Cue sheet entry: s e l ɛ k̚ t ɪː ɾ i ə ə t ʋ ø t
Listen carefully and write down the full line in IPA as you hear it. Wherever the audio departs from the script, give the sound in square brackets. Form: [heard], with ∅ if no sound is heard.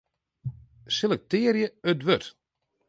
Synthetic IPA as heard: s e l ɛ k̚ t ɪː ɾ [j] ə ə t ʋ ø t